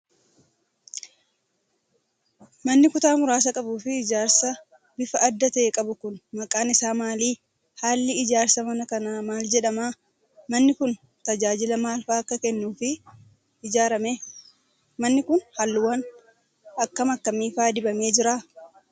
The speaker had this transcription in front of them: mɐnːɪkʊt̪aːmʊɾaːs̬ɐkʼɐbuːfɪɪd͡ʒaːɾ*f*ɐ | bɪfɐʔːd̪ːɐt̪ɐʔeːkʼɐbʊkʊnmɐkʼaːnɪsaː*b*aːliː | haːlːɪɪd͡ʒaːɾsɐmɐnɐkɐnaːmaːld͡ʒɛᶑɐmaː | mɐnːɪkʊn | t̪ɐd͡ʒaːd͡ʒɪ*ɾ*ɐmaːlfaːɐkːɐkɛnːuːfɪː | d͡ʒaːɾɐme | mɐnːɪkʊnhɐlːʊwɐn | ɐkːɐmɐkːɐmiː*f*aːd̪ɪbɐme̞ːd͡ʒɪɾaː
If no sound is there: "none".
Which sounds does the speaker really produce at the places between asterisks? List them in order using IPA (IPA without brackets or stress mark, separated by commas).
s, m, l, f